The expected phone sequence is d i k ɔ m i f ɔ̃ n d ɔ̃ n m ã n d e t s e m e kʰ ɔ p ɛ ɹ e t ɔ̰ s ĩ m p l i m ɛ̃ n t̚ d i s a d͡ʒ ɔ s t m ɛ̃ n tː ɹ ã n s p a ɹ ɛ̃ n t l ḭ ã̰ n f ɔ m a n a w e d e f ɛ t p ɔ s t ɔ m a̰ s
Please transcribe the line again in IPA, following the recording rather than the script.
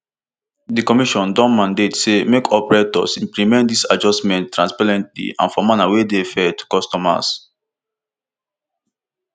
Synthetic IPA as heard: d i k ɔ m i ʃ ɔ̃ n d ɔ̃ n m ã n d e t s e m e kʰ ɔ p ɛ ɹ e t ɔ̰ s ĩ m p l i m ɛ̃ n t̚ d i s a d͡ʒ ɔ s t m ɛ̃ n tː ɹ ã n s p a ɹ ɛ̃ n t l ḭ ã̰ n f ɔ m a n a w e d e f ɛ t k ɔ s t ɔ m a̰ s